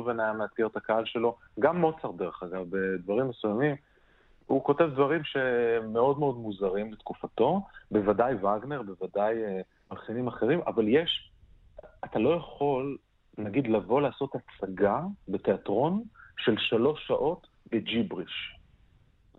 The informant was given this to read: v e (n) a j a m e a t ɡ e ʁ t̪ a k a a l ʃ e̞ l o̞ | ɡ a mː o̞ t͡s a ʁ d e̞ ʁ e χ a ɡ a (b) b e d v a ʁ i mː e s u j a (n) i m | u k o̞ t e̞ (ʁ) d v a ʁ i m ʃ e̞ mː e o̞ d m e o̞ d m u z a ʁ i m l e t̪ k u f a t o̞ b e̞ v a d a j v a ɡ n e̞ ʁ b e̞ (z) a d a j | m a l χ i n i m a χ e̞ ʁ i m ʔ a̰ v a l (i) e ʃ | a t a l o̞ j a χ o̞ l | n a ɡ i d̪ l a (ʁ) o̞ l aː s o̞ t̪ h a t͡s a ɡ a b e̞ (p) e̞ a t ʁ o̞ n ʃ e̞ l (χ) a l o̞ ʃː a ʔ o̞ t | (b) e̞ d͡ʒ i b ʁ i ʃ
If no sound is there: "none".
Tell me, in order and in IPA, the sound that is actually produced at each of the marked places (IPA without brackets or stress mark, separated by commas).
n, v, m, v, v, j, v, t, ʃ, b